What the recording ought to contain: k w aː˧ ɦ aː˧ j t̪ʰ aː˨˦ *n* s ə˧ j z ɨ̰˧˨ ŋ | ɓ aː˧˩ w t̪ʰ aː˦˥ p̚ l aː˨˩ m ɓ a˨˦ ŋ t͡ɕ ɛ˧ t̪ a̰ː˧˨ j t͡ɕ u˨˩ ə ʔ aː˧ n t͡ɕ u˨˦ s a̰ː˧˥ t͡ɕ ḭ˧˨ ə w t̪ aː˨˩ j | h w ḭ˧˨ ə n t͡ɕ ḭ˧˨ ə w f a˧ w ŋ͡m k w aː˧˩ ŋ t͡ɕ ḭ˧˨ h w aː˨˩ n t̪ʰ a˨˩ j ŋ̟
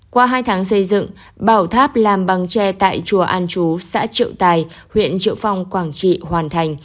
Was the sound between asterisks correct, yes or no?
no